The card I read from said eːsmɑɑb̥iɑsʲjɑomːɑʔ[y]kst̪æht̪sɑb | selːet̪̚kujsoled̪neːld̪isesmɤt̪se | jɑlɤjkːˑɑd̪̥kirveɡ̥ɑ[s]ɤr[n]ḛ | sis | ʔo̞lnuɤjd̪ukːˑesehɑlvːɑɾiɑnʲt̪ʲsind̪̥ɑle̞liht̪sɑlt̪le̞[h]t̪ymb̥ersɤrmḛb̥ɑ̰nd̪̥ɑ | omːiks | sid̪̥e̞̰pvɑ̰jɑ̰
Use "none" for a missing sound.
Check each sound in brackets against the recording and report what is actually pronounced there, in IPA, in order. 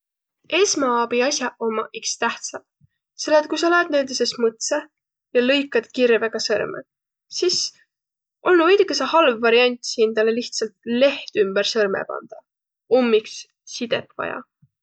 i, s, m, h

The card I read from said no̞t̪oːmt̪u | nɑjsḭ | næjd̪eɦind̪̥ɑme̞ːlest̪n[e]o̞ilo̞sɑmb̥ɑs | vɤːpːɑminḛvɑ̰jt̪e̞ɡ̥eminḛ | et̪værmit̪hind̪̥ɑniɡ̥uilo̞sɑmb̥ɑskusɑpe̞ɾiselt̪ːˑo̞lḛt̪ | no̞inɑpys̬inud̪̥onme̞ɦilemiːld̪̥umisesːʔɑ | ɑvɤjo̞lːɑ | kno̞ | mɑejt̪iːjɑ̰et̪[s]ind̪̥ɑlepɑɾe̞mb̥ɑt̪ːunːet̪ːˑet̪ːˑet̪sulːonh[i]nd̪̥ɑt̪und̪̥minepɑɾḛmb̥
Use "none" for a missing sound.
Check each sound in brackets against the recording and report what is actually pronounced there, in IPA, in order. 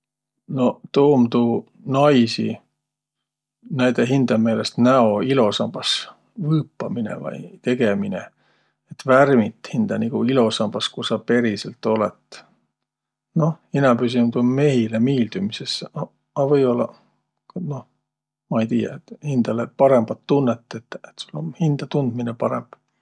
æ, h, i

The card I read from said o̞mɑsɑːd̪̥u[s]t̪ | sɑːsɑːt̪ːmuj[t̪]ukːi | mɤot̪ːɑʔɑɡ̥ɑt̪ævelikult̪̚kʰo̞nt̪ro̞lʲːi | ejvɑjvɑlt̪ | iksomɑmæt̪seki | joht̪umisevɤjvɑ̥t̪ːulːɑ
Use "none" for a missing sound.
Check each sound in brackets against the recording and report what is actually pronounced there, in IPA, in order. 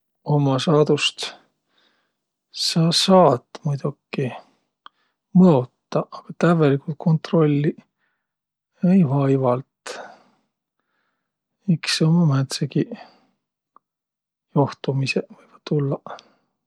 s, d̪

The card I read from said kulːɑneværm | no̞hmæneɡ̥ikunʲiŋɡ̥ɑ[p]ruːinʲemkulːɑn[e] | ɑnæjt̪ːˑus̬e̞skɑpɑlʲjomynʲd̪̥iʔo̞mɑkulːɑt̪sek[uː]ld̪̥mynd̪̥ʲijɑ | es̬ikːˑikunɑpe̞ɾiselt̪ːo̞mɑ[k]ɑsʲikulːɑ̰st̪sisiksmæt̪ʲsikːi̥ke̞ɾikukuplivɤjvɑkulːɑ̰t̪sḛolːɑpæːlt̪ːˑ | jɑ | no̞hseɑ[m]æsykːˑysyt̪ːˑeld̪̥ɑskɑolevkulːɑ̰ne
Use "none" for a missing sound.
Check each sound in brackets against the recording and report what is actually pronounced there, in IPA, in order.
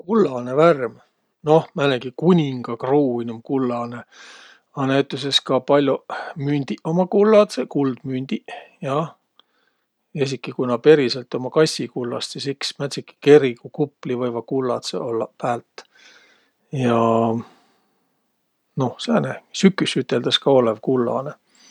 k, e, u, k, n

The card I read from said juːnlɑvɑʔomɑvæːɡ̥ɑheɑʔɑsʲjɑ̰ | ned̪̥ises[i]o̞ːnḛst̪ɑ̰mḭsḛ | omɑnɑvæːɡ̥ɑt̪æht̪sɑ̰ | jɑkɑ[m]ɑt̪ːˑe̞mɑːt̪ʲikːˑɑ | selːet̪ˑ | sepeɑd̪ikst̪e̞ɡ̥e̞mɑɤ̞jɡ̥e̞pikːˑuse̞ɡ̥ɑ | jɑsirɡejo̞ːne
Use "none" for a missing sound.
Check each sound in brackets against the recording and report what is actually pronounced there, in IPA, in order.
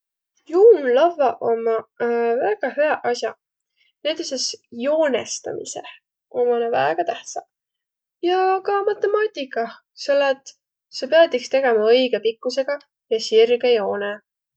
j, m

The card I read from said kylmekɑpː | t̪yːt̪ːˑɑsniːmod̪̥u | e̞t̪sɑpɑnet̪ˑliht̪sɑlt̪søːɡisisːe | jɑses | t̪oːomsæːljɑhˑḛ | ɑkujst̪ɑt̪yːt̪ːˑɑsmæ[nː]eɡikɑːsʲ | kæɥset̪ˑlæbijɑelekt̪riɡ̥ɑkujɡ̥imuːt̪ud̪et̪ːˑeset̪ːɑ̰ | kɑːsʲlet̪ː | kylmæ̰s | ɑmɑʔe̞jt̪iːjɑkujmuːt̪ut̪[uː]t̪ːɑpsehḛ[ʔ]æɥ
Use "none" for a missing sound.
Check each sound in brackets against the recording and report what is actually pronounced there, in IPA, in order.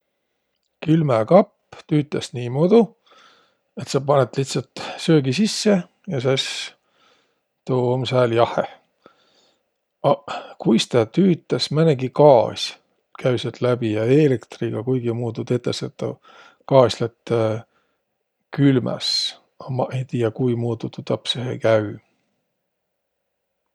n, u, k

